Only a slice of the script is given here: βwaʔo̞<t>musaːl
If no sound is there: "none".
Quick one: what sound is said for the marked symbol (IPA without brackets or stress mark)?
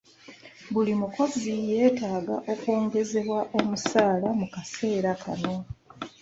none